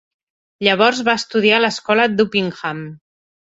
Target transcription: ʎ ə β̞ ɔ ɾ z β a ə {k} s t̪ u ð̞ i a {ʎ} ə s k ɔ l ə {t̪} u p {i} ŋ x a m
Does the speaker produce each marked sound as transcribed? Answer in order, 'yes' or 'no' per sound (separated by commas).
no, no, no, yes